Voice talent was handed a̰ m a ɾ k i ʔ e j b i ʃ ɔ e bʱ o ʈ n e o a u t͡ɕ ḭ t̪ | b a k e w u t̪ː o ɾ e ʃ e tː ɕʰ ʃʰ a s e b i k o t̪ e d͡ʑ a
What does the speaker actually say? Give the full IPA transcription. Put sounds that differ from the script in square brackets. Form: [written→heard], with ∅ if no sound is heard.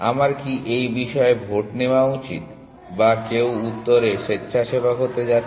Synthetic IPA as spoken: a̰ m a ɾ k i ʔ e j b i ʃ ɔ e bʱ o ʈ n e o a u t͡ɕ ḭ t̪ | b a k e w u t̪ː o ɾ e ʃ e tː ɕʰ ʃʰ a [s→ʃ] e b [i→a] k o t̪ e d͡ʑ a